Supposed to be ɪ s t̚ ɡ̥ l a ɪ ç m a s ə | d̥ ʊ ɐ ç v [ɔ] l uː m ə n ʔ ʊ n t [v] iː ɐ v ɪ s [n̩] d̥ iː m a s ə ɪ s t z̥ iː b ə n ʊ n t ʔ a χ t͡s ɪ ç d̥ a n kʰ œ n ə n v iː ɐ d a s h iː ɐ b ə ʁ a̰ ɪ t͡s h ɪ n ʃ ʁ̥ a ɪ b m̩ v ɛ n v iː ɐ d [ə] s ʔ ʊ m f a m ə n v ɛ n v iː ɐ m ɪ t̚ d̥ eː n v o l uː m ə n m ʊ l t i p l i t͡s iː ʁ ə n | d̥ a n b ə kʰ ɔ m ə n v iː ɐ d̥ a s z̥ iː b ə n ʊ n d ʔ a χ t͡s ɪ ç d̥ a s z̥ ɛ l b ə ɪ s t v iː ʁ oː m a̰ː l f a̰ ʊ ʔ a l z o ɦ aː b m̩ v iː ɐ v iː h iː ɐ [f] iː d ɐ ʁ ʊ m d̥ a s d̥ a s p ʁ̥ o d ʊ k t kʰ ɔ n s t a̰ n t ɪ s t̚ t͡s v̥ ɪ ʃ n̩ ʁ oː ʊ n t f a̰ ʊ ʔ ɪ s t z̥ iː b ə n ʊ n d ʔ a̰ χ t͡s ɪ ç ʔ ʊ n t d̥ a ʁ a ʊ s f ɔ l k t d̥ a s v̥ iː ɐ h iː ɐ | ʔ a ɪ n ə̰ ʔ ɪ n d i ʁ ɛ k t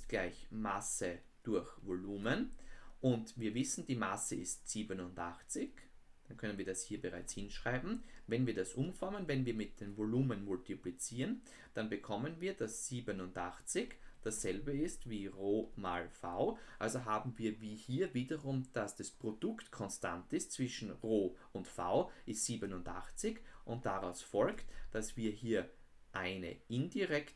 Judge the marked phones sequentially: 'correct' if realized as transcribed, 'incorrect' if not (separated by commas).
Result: incorrect, correct, correct, incorrect, incorrect